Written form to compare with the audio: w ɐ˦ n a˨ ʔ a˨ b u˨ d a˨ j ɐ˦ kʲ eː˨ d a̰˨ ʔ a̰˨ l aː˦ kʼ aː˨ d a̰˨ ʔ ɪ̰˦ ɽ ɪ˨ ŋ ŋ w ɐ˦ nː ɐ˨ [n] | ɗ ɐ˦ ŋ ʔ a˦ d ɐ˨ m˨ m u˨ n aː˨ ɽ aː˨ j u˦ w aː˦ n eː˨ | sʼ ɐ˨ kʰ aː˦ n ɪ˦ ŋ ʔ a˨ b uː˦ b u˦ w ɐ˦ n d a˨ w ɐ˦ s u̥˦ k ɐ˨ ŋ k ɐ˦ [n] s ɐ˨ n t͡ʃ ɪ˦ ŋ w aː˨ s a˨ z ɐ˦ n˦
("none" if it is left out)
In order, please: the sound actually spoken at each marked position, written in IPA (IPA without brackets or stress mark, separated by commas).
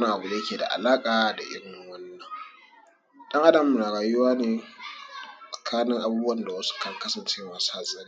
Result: ŋ, none